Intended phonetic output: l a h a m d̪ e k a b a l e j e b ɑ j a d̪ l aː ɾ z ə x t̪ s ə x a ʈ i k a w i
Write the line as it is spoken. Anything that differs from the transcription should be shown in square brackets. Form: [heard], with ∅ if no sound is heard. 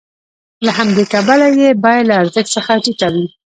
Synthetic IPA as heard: l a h a m d̪ e k a b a l [a] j e b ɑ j a d̪ l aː ɾ z ə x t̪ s ə x a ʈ i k a w i